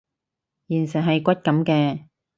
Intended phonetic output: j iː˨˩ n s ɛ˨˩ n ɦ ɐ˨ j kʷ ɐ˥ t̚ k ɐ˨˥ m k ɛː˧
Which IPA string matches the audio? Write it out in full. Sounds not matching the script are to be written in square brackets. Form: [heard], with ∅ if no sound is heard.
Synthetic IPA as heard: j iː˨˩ n s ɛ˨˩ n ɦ ɐ˨ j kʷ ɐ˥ t̚ k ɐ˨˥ m k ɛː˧